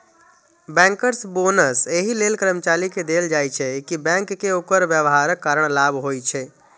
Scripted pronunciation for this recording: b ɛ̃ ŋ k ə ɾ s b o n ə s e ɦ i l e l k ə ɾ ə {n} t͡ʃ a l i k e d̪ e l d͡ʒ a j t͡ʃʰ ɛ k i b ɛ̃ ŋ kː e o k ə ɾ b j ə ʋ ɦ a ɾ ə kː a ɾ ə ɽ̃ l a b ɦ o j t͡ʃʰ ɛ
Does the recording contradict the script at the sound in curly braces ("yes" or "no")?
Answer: yes